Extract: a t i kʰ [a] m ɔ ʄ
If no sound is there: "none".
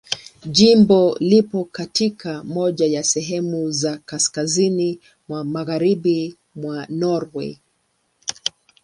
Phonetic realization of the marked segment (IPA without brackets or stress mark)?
a